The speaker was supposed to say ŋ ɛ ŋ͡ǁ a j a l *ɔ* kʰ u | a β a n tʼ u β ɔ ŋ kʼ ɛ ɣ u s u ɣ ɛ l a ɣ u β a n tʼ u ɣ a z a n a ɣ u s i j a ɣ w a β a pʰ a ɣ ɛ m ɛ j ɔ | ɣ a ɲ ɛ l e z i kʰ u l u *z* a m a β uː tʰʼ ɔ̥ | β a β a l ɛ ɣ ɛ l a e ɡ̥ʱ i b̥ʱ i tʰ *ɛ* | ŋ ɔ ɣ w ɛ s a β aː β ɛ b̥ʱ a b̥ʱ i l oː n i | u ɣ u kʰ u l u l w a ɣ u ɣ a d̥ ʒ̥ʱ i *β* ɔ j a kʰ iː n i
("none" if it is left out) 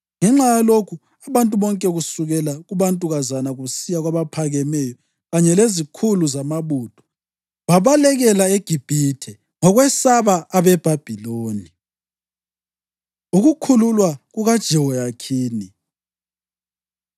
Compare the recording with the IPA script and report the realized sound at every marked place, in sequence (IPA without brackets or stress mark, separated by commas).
o, z, ɛ, w